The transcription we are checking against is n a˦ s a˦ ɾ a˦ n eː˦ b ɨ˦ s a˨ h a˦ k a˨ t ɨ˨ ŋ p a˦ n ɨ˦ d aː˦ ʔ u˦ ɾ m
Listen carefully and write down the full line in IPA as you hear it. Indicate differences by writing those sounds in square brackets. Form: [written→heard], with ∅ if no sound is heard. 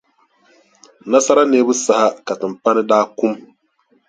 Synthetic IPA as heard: n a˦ s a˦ ɾ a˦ n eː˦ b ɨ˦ s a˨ h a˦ k a˨ t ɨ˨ [ŋ→m] p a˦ n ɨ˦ d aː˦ [ʔ→k] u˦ [ɾ→∅] m